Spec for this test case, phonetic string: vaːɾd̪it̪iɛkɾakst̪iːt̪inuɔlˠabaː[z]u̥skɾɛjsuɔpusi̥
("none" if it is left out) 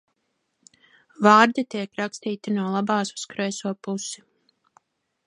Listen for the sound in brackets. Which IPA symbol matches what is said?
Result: s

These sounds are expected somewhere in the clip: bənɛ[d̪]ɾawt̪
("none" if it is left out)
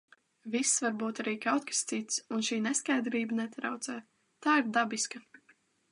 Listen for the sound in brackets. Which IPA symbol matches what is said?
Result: t̪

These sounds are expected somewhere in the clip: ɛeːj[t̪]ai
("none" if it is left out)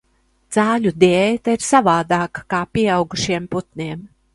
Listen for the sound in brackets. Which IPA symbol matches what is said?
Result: t̪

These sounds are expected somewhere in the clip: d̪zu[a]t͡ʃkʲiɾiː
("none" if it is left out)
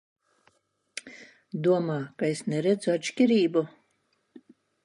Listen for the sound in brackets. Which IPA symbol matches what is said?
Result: a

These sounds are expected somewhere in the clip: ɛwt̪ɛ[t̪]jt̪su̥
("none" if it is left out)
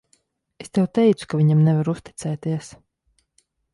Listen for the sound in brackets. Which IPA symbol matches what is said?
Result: none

